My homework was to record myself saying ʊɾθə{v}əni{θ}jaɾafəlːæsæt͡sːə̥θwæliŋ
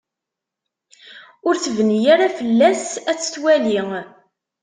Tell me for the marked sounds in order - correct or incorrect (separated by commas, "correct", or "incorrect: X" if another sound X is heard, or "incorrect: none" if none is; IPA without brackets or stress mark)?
correct, incorrect: none